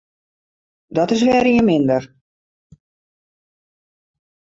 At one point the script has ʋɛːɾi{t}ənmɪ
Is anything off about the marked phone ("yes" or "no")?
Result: yes